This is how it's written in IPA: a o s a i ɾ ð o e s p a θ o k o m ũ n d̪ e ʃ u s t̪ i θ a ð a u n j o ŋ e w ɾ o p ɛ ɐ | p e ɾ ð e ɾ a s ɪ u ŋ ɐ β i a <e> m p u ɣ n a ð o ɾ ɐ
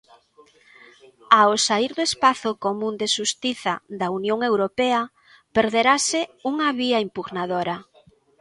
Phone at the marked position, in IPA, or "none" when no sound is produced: i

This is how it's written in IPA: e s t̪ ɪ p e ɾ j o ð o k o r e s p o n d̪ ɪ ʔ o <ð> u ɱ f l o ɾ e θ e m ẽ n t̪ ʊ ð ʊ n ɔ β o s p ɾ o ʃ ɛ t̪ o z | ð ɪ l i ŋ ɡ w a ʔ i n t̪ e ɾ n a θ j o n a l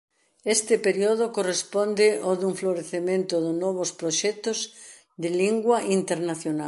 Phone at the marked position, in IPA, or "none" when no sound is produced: ð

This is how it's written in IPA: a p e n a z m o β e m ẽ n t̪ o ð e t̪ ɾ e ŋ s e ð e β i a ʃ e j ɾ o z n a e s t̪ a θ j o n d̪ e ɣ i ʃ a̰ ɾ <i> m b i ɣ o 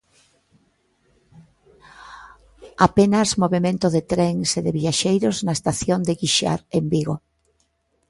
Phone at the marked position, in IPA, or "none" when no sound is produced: e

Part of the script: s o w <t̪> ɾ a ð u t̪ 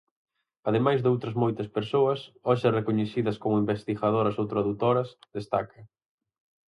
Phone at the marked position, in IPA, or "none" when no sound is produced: t̪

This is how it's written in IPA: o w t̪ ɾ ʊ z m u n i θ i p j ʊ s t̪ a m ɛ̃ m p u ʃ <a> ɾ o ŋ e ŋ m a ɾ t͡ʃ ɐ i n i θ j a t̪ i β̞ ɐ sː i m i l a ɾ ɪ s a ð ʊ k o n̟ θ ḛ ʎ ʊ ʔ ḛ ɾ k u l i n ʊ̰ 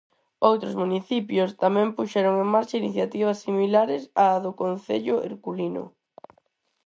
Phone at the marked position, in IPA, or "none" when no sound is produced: ɛ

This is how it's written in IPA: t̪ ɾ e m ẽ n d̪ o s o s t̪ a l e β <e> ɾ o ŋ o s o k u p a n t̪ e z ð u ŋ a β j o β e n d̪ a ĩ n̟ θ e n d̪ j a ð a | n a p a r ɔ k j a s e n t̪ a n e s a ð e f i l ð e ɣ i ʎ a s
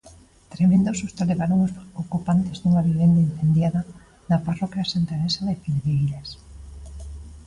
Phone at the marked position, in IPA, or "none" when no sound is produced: a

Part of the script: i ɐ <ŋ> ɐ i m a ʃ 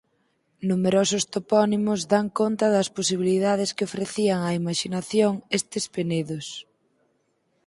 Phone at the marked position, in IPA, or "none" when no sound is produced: ŋ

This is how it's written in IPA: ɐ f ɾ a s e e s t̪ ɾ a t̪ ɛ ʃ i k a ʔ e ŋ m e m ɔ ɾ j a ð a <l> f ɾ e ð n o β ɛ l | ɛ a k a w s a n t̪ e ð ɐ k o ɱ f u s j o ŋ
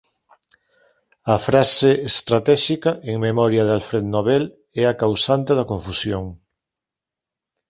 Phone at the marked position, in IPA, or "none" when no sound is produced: l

